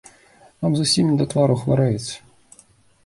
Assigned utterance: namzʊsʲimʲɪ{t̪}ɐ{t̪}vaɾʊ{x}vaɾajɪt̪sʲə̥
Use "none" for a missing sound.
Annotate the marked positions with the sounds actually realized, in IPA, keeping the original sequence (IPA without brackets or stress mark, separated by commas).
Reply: d̪, t̪, x